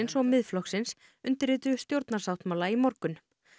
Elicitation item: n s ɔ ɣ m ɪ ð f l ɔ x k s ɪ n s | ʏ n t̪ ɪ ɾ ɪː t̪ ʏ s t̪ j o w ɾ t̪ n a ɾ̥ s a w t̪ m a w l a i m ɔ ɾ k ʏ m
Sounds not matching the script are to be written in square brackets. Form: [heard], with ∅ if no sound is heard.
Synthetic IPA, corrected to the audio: n s ɔ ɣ m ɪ ð f l ɔ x k s ɪ n s | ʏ n t̪ ɪ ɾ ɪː t̪ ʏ s t̪ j o w ɾ t̪ n a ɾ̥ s a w t̪ m a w l a i m ɔ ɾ k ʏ [n]